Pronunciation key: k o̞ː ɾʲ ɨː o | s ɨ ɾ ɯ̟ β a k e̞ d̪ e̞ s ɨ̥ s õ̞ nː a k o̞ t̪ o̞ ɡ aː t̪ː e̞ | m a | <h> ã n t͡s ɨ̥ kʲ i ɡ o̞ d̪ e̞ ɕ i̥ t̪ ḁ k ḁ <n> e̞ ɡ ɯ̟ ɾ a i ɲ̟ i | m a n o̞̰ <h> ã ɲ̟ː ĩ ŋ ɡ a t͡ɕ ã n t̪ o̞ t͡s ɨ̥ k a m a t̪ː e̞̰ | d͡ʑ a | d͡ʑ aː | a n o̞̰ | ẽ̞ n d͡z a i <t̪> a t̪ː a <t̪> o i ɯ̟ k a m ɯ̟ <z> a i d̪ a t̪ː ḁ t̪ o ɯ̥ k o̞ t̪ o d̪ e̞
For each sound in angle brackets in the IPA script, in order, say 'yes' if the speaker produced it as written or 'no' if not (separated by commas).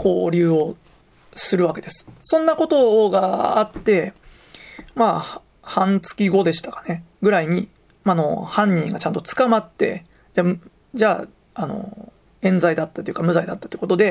yes, yes, yes, no, yes, yes